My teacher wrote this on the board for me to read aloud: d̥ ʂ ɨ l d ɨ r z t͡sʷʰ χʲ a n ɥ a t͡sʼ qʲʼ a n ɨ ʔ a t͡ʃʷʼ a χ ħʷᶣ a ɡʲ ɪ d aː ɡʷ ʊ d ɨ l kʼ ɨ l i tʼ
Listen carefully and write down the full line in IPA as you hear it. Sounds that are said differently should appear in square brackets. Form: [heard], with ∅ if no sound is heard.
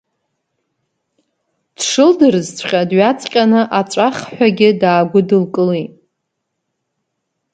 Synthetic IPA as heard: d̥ ʂ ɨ l d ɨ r z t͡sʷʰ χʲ a [d] ɥ a t͡sʼ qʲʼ a n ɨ ʔ a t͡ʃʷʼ a χ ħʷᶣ a ɡʲ ɪ d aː ɡʷ ʊ d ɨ l kʼ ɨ l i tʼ

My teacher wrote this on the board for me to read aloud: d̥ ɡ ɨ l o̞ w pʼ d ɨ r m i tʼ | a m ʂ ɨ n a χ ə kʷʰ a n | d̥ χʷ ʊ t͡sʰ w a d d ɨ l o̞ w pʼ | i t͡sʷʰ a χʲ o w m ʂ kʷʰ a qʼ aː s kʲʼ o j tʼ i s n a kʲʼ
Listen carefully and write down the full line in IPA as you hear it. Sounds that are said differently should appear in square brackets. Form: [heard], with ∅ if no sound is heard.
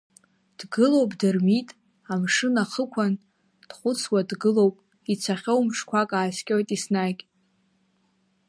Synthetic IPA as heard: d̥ ɡ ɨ l o̞ w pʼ d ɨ r m i tʼ | a m ʂ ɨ n a χ ə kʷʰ a n | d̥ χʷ ʊ t͡sʰ w a d [ɡ] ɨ l o̞ w pʼ | i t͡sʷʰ a χʲ o w m ʂ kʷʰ a [kʼ] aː s kʲʼ o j tʼ i s n a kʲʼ

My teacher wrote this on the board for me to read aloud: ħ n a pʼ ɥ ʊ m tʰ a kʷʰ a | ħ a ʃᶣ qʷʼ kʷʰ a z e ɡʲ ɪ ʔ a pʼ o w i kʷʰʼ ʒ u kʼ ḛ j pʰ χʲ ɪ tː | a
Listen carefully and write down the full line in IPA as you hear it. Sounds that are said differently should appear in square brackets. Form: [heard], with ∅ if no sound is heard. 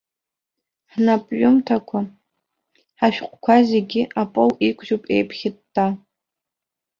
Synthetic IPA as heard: ħ n a pʼ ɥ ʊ m tʰ a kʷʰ a | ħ a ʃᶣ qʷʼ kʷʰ a z e ɡʲ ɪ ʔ a pʼ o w i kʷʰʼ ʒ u [pʼ] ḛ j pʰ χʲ ɪ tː | a

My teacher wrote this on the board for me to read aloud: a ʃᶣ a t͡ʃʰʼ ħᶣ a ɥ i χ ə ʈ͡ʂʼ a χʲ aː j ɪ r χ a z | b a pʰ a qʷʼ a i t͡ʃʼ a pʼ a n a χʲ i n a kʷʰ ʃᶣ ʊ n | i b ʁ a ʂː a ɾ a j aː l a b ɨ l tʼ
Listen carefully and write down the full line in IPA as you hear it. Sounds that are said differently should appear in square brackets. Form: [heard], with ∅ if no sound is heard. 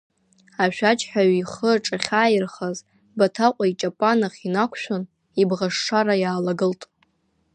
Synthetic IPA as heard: a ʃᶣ a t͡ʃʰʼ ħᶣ a ɥ i χ ə ʈ͡ʂʼ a χʲ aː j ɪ r χ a z | b a [tʰ] a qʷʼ a i t͡ʃʼ a pʼ a n a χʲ i n a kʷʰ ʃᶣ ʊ n | i b ʁ a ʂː a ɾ a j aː l a [ɡ] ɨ l tʼ

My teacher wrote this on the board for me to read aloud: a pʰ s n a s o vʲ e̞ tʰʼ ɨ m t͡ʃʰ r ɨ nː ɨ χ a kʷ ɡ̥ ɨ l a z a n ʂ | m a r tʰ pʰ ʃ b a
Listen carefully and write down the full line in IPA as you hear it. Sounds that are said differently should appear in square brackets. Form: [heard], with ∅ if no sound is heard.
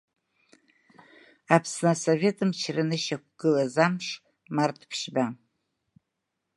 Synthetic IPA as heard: a pʰ s n a s o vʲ e̞ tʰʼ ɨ m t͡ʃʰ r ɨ [n] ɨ [ʃ] a kʷ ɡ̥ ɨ l a z a [m] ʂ | m a r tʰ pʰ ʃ b a

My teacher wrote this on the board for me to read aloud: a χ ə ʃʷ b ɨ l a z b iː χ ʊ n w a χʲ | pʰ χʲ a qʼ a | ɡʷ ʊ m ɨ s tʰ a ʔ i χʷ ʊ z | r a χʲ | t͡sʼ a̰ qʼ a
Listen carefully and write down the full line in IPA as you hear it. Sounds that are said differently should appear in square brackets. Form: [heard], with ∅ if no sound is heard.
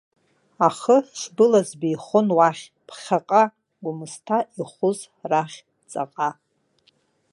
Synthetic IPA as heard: a χ ə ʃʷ b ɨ l a z b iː χ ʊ n w a χʲ | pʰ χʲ a qʼ a | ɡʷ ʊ m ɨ s tʰ a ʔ i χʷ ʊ z | r a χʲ | t͡sʼ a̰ qʼ a

